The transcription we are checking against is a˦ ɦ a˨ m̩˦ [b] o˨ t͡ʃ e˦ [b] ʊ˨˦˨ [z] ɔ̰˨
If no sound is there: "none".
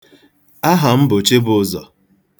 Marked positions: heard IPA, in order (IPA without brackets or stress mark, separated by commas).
b, b, z